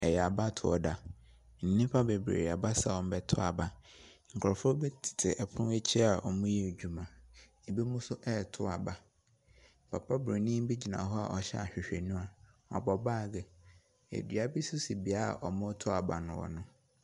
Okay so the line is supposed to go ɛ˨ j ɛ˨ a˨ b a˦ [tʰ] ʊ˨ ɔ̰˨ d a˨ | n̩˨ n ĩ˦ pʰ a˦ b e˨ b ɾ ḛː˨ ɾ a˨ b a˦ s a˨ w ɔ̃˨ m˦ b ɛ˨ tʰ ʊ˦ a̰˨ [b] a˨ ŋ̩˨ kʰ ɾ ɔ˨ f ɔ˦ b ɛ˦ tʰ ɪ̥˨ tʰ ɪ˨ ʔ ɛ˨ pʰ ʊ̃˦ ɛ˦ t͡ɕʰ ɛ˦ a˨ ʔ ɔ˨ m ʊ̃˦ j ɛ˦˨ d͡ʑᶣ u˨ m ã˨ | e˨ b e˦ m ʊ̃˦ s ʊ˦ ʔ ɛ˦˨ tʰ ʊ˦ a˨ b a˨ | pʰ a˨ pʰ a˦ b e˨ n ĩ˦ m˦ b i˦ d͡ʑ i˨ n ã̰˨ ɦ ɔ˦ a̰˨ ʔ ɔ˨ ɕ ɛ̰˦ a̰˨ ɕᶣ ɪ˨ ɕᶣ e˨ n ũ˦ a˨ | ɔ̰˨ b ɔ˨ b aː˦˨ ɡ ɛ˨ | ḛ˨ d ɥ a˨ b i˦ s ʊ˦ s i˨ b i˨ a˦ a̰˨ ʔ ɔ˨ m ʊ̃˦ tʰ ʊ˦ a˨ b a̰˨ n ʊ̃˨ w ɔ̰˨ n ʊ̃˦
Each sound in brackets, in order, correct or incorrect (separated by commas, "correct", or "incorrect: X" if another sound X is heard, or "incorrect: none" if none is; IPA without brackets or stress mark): correct, correct